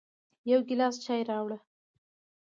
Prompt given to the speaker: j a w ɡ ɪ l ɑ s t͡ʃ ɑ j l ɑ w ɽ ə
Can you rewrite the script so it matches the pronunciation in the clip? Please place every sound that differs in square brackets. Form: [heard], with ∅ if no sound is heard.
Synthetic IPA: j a w ɡ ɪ l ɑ s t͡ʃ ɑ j [ɾ] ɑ w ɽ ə